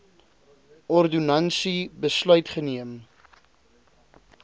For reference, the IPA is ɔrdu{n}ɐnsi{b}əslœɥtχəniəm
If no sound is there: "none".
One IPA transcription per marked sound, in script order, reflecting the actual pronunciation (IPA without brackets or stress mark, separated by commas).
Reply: n, b